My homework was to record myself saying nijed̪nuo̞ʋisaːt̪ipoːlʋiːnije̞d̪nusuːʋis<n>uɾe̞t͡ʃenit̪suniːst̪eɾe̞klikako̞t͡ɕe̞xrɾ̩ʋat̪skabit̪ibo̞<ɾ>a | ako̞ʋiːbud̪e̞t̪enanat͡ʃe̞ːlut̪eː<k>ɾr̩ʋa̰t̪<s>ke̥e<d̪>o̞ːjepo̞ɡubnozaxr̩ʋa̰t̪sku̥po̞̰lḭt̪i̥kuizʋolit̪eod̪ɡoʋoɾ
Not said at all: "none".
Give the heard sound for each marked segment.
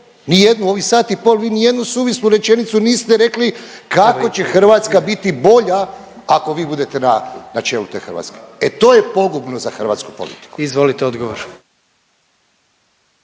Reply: n, ʎ, x, s, t̪

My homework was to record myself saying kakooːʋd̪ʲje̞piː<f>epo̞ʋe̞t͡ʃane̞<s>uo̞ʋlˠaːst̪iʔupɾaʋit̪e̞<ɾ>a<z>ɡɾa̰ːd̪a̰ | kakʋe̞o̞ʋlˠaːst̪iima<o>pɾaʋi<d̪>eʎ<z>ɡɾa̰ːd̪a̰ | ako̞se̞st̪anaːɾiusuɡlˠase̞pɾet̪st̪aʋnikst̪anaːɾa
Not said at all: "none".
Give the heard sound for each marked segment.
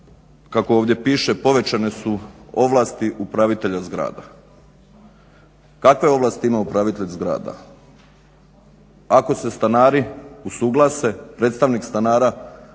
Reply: ʃ, s, ʎ, z, u, t̪, z

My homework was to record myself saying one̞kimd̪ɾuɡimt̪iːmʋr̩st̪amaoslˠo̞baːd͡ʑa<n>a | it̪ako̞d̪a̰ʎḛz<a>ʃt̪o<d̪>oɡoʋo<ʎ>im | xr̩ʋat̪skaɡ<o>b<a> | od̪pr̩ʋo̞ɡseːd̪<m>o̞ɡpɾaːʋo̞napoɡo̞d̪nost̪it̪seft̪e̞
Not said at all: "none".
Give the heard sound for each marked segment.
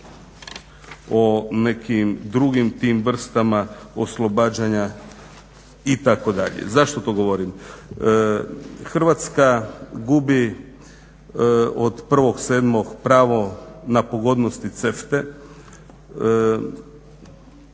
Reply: ɲ, a, t̪, ɾ, u, i, m

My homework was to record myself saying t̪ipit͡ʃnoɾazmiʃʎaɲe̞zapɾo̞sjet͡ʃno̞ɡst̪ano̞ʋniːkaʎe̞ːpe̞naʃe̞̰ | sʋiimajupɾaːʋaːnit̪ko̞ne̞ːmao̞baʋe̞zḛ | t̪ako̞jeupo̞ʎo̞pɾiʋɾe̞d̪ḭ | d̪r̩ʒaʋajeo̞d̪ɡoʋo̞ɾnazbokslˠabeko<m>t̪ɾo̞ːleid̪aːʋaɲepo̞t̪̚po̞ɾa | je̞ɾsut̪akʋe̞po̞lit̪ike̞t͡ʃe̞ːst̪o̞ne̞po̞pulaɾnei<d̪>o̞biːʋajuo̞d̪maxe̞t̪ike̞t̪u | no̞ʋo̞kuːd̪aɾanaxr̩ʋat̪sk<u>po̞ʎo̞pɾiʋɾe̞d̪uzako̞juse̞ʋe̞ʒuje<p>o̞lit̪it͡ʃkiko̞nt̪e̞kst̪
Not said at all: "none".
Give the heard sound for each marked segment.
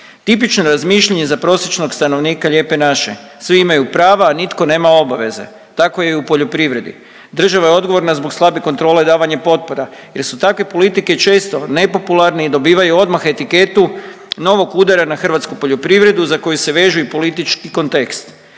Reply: n, d̪, u, p

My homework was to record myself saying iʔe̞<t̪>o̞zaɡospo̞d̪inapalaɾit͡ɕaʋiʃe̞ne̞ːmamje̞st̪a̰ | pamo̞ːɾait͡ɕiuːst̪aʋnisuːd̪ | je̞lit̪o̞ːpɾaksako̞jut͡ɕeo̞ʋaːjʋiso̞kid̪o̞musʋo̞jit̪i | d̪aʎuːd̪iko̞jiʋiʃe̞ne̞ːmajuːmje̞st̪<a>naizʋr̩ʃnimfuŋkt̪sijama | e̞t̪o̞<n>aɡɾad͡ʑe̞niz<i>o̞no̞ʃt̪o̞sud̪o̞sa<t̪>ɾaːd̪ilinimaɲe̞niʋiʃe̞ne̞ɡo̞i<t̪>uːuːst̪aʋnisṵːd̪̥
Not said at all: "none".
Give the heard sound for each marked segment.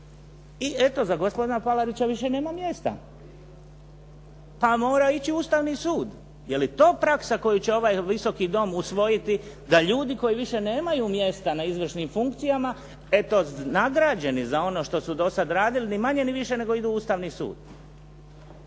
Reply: t̪, a, n, a, d̪, d̪

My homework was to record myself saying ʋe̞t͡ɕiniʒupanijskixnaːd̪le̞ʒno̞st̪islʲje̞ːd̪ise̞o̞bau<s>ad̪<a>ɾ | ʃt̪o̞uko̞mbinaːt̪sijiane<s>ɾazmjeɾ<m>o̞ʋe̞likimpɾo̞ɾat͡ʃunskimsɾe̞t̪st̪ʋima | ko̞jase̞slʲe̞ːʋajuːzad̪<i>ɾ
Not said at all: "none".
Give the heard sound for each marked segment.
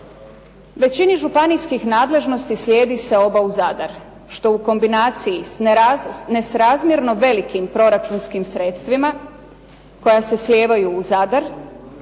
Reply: z, a, s, n, a

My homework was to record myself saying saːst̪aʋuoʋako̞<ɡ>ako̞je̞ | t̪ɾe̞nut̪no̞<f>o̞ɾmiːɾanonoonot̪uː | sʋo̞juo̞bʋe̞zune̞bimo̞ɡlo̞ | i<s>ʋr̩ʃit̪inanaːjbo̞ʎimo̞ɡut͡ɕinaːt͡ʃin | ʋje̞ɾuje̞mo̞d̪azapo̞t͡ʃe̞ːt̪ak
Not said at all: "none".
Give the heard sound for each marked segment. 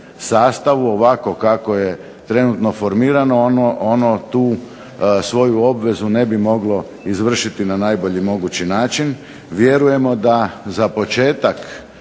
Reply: k, f, z

